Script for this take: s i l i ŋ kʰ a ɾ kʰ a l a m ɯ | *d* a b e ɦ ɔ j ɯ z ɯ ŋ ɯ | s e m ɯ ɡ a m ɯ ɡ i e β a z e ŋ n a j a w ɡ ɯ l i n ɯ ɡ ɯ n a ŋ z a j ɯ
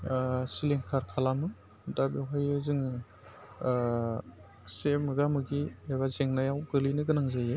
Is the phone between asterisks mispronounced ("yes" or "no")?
no